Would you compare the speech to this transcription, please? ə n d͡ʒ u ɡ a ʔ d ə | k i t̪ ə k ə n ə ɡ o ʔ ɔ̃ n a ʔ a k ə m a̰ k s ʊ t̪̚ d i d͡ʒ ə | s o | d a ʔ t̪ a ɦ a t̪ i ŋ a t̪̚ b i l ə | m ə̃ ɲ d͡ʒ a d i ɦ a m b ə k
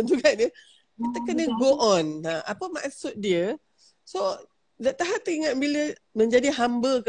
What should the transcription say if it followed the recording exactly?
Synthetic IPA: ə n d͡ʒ u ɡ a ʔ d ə | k i t̪ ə k ə n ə ɡ o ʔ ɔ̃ n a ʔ a p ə m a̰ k s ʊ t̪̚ d i ə | s o | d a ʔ t̪ a ɦ a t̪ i ŋ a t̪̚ b i l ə | m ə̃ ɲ d͡ʒ a d i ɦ a m b ə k